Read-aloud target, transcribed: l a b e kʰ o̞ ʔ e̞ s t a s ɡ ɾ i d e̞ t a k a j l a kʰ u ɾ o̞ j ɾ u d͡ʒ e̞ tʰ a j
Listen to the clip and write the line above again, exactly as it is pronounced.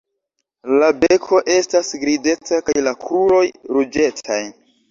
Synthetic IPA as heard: l a b e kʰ o̞ ʔ e̞ s t a s ɡ ɾ i d e̞ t a k a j l a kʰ u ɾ o̞ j ɾ u d͡ʒ e̞ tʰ a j

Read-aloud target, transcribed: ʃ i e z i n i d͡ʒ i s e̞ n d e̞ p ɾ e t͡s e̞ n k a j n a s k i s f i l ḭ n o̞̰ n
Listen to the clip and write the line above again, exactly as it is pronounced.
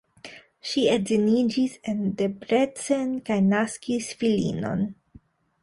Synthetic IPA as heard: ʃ i e z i n i d͡ʒ i s e̞ n d e̞ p ɾ e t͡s e̞ n k a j n a s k i s f i l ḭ n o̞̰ n

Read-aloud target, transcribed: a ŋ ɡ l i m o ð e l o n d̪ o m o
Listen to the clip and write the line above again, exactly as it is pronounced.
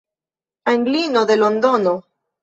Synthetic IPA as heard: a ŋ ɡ l i n o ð e l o n d̪ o n o

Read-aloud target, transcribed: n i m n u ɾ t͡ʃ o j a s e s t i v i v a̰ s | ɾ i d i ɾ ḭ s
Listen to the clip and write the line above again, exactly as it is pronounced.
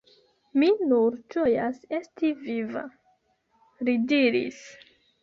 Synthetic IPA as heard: m i n u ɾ t͡ʃ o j a s e s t i v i v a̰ | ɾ i d i ɾ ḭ s

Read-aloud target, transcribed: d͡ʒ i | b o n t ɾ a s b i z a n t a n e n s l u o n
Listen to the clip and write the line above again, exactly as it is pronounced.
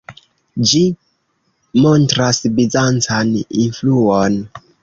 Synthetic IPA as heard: d͡ʒ i | m o n t ɾ a s b i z a n t͡s a n i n f l u o n

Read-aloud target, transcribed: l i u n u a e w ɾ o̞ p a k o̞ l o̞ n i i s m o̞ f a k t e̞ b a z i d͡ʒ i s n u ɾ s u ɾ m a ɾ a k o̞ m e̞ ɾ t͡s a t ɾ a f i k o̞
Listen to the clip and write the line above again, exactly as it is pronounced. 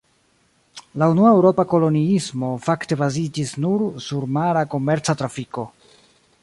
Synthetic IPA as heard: l a u n u a e w ɾ o̞ p a k o̞ l o̞ n i i s m o̞ f a k t e̞ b a z i d͡ʒ i s n u ɾ s u ɾ m a ɾ a k o̞ m e̞ ɾ t͡s a t ɾ a f i k o̞

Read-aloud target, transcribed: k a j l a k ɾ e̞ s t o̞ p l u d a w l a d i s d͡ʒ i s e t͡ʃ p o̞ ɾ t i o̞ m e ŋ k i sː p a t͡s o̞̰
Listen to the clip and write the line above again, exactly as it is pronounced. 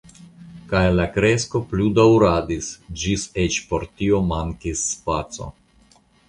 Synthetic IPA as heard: k a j l a k ɾ e̞ s k o̞ p l u d a w ɾ a d i s d͡ʒ i s e t͡ʃ p o̞ ɾ t i o̞ m a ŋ k i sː p a t͡s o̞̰

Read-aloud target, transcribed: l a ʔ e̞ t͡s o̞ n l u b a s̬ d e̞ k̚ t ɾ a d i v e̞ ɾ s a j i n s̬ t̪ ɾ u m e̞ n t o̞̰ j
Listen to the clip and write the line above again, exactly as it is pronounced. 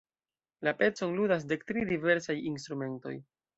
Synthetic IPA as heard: l a p e̞ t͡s o̞ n l u d a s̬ d e̞ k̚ t ɾ i d i v e̞ ɾ s a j i n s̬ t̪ ɾ u m e̞ n t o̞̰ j

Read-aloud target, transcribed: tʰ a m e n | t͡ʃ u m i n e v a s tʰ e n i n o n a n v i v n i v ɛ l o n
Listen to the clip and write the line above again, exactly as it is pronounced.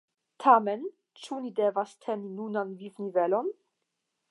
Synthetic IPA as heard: tʰ a m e n | t͡ʃ u n i d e v a s tʰ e n i n u n a n v i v n i v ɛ l o n

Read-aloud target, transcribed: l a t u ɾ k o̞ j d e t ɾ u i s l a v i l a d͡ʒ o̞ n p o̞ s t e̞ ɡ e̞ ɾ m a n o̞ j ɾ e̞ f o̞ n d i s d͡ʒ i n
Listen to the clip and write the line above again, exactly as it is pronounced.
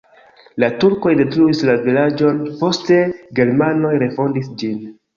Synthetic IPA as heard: l a t u ɾ k o̞ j d e t ɾ u i s l a v i l a d͡ʒ o̞ n p o̞ s t e̞ ɡ e̞ ɾ m a n o̞ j ɾ e̞ f o̞ n d i s d͡ʒ i n

